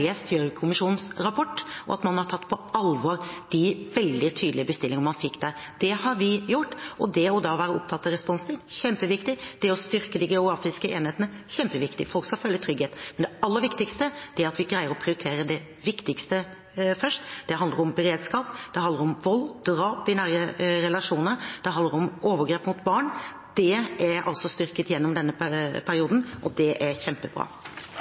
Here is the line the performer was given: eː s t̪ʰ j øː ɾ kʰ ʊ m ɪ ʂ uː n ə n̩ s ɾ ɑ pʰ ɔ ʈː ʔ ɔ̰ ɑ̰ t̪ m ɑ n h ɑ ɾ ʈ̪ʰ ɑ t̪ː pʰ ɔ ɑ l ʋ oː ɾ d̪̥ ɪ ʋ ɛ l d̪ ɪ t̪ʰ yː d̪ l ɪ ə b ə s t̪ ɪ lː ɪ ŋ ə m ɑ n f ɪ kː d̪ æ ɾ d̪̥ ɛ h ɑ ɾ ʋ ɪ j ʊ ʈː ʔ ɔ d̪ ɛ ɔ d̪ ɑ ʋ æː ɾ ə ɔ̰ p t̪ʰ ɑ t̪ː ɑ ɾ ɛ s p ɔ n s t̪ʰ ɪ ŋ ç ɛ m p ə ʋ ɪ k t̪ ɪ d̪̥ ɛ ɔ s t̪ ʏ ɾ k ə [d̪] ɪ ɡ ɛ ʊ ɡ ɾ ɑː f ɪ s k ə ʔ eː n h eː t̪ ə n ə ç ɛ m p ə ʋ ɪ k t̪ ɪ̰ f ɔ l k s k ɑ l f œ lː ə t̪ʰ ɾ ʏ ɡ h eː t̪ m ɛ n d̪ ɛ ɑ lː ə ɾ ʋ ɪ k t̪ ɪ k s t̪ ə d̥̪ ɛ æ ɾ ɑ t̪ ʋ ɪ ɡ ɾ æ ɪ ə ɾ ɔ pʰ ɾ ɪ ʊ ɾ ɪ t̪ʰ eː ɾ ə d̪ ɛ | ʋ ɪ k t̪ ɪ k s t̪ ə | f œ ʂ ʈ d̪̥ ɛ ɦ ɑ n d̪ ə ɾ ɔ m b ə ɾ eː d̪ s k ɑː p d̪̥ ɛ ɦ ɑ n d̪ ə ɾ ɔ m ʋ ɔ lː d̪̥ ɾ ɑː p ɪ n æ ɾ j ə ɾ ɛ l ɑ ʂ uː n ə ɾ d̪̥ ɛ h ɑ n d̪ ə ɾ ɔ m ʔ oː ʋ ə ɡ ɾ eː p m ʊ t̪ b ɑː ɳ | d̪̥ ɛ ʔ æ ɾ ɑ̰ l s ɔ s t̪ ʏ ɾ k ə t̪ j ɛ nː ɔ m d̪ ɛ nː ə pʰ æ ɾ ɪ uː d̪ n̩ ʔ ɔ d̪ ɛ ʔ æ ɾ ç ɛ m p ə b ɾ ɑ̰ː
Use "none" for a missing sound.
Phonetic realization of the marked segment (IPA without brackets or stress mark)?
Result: d̪